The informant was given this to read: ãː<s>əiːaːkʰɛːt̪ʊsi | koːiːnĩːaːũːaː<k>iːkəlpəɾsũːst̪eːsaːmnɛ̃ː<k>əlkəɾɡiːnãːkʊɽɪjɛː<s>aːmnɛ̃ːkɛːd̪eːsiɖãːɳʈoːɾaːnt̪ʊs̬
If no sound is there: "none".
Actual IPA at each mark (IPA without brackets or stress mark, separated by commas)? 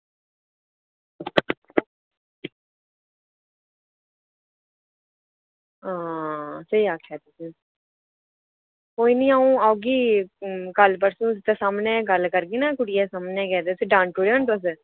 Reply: s, ɡ, ɡ, s